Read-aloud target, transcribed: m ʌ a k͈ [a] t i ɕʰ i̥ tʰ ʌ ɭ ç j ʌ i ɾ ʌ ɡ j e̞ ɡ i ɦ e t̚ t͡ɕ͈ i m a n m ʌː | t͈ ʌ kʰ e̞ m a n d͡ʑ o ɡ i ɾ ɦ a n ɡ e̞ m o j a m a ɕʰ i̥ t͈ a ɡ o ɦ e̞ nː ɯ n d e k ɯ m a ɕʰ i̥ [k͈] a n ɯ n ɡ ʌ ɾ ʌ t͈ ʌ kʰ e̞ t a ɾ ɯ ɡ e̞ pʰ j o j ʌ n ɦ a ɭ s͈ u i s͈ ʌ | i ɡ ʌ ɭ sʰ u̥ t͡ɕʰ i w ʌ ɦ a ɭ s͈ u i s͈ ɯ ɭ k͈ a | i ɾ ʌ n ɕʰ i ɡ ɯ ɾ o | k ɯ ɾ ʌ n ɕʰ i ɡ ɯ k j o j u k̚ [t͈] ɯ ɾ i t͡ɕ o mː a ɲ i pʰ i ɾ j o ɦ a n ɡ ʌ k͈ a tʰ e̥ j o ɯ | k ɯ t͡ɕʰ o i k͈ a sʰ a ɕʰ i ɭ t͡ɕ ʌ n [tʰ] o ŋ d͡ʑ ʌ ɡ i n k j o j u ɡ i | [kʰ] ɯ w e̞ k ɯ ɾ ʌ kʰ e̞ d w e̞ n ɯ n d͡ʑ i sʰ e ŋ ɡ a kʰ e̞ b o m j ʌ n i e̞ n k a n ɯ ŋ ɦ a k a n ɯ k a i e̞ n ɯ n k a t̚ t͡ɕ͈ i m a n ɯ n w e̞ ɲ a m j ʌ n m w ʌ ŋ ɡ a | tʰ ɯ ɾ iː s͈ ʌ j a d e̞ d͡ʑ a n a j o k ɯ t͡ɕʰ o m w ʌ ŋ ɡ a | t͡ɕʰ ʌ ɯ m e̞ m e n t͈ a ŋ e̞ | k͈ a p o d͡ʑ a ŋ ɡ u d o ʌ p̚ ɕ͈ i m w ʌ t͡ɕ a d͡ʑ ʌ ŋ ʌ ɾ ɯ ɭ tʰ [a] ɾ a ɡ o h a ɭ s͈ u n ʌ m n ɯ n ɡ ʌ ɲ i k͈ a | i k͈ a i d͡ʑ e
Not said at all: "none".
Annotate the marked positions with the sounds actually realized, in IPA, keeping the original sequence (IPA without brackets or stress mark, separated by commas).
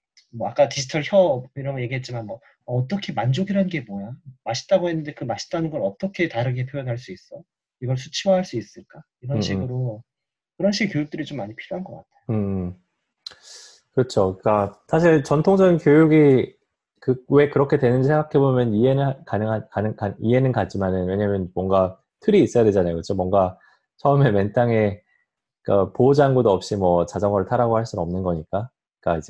a, t͈, t͈, tʰ, k, a